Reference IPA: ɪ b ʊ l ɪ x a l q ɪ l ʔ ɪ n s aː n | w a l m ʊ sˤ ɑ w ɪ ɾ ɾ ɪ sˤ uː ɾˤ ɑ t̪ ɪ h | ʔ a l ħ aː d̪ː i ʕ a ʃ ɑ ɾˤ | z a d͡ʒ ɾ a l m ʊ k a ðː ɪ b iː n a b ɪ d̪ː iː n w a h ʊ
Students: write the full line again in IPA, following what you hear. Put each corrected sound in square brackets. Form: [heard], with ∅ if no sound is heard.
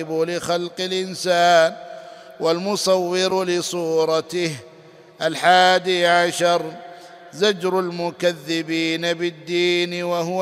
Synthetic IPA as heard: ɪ b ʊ l ɪ x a l q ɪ l ʔ ɪ n s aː n | w a l m ʊ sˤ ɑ [wː] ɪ ɾ [l] ɪ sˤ uː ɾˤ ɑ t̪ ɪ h | ʔ a l ħ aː [d̪] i ʕ a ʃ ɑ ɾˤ | z a d͡ʒ ɾ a l m ʊ k a ðː ɪ b iː n a b ɪ d̪ː iː n w a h ʊ